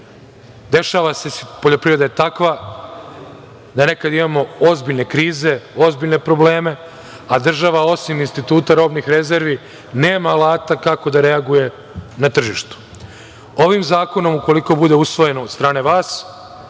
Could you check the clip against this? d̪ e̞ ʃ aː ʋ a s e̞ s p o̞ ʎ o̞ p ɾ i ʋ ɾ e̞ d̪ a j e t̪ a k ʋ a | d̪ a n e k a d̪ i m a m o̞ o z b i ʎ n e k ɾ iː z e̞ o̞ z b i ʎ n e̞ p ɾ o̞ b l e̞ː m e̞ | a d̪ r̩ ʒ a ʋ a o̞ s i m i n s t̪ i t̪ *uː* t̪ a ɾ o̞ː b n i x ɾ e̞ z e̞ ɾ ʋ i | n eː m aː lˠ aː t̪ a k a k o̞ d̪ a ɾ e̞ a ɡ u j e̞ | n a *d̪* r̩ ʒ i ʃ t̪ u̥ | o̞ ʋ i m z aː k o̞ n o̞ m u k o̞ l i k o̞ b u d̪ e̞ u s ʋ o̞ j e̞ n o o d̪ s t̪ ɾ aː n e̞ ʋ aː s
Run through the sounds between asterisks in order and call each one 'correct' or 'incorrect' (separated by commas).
correct, incorrect